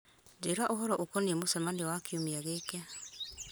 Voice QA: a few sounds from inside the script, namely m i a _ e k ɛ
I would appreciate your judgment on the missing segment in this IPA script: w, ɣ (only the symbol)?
ɣ